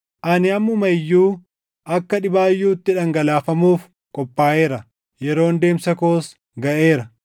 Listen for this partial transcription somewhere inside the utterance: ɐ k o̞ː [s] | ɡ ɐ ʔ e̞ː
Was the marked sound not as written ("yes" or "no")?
no